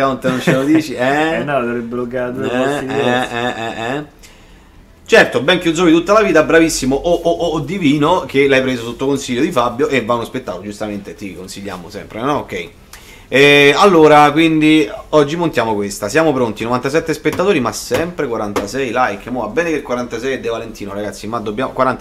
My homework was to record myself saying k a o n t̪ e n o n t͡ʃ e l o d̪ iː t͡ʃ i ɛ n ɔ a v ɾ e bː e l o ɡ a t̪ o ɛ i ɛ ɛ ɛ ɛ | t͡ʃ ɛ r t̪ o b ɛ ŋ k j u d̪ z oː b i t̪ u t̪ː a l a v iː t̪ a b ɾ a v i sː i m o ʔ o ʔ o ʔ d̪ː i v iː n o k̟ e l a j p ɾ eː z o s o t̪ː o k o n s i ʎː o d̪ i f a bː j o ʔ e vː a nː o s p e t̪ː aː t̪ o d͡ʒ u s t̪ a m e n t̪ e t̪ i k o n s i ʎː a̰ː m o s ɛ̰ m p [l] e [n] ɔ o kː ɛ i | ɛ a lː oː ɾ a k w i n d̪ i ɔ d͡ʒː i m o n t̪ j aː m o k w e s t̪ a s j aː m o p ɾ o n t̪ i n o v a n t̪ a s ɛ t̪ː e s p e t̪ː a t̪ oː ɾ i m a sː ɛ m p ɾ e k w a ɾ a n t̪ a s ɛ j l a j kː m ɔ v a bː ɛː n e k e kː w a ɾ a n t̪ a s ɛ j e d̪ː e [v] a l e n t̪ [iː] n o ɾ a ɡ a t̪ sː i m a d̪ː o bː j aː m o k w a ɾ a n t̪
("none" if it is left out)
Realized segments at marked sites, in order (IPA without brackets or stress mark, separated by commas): ɾ, n, v, iː